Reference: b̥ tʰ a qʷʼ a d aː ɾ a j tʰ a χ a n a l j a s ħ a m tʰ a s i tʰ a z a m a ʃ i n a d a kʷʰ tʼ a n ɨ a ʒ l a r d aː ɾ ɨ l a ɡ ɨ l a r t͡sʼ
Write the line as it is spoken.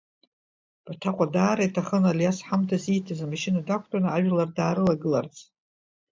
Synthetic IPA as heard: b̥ tʰ a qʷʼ a d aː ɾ a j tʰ a χ ə n a l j a s ħ a m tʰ a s i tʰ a z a m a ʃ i n a d a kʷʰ tʼ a n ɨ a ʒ l a r d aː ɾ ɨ l a ɡ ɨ l a r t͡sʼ

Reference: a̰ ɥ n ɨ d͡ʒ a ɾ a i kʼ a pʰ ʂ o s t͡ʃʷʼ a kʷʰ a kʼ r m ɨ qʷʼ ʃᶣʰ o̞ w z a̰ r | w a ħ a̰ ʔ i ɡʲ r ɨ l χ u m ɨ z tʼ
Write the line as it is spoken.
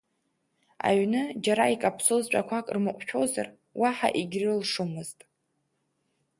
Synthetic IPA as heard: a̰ ɥ n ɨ d͡ʒ a ɾ a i kʼ a pʰ s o z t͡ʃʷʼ a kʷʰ a kʼ r m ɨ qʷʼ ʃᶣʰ o̞ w z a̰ r | w a ħ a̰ ʔ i ɡʲ r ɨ l ʂ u m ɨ z tʼ

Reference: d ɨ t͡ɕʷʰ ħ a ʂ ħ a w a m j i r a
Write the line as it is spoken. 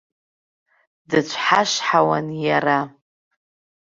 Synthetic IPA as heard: d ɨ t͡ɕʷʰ ħ a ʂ ħ a w a n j a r a

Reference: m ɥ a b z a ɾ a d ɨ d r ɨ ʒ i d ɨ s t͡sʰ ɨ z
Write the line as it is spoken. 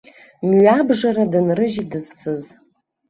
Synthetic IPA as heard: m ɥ a b ʐ a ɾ a d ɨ n r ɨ ʒ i d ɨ z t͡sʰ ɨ z

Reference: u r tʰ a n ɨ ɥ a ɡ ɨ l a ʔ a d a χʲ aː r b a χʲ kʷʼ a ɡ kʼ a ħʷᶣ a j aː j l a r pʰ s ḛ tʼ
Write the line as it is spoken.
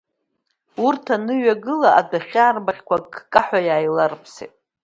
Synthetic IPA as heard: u r tʰ a n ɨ ɥ a ɡ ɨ l a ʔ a d a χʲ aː r b a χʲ kʷ a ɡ kʼ a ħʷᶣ a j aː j l a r pʰ s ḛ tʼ

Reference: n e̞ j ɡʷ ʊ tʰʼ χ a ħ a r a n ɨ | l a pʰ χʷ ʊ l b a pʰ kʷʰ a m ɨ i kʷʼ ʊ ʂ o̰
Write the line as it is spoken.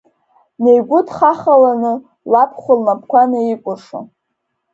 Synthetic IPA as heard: n e̞ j ɡʷ ʊ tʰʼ χ a χ a l a n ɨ | l a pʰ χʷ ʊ l m a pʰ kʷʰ a n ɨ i kʷʼ ʊ ʂ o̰

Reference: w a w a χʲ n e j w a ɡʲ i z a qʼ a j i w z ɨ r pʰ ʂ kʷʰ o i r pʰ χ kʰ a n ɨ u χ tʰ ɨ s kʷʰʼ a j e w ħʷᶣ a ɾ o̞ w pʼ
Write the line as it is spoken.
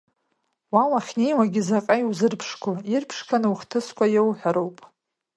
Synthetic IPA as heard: w a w a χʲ n e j w a ɡʲ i z a qʼ a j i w z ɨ r pʰ ʂ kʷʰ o i r pʰ ʂ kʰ a n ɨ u χ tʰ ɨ s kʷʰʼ a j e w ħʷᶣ a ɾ o̞ w pʼ

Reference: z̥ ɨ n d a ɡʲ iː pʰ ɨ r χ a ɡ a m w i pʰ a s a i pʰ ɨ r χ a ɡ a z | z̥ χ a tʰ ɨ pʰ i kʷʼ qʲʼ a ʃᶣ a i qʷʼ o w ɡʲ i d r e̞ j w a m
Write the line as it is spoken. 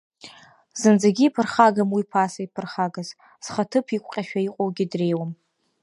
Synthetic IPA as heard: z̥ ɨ n d͡z a ɡʲ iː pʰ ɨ r χ a ɡ a m w i pʰ a s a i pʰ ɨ r χ a ɡ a z | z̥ χ a tʰ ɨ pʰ i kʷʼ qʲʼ a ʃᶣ a i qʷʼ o w ɡʲ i d r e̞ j w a m

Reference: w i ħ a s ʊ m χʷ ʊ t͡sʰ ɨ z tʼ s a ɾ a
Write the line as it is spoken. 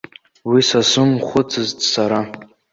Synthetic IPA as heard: w i s a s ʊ m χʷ ʊ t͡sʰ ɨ z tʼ s a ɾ a

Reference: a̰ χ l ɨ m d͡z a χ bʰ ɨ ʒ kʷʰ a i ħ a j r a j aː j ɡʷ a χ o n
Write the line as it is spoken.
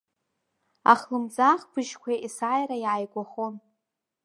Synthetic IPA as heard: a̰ χ l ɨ m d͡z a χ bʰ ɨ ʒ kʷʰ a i s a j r a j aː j ɡʷ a χ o n

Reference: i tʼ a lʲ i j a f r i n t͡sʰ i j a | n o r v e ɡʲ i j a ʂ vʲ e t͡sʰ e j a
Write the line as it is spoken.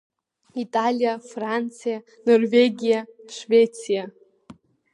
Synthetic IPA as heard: i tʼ a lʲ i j a f r a n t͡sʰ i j a | n o r v e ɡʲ i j a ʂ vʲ e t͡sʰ i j a

